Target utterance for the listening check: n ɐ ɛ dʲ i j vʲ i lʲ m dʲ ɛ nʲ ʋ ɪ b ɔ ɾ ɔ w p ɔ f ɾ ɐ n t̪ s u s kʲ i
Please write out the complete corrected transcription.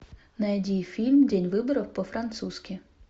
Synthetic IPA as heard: n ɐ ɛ dʲ i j fʲ i lʲ m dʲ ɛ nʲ ʋ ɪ b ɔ ɾ ɔ w p ɔ f ɾ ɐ n t̪ s u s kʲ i